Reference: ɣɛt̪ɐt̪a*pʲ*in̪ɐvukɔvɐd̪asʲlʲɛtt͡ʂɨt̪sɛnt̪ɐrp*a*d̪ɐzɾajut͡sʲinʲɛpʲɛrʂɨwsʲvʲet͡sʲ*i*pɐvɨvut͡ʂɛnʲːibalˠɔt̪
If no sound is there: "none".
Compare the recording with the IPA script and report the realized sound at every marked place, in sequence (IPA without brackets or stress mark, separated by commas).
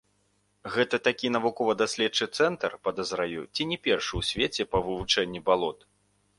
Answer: kʲ, ɐ, ɛ